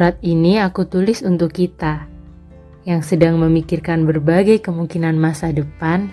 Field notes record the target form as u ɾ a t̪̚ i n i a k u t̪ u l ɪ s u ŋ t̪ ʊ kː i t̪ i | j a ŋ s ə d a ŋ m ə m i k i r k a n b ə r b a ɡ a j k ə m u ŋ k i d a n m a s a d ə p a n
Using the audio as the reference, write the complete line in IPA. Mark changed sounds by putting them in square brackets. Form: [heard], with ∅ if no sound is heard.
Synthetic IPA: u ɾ a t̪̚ i n i a k u t̪ u l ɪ s u [n] t̪ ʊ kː i t̪ [a] | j a ŋ s ə d a ŋ m ə m i k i r k a n b ə r b a ɡ a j k ə m u ŋ k i [n] a n m a s a d ə p a n